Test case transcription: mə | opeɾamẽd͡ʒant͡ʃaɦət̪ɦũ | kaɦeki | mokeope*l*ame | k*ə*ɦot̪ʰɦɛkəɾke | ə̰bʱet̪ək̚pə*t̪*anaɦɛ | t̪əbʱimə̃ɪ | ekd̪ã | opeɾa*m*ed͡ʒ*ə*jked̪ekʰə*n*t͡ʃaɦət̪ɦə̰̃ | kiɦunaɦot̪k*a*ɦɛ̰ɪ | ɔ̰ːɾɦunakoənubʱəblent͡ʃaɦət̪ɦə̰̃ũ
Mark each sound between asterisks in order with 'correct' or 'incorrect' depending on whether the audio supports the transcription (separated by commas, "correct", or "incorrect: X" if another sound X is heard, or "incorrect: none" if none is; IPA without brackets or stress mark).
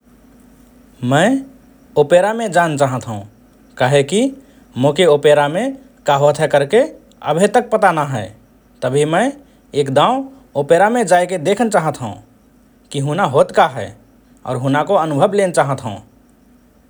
incorrect: ɾ, incorrect: a, correct, correct, incorrect: a, correct, correct